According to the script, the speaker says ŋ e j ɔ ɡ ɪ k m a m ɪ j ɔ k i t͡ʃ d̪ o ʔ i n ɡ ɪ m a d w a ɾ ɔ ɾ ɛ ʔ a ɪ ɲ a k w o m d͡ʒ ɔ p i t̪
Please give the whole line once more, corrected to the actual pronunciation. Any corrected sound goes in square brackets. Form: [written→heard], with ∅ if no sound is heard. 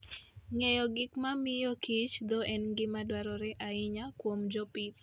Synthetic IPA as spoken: ŋ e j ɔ ɡ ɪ k m a m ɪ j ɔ k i t͡ʃ d̪ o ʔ [i→ɛ] n ɡ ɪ m a d w a ɾ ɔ ɾ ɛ ʔ a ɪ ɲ a k w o m d͡ʒ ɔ p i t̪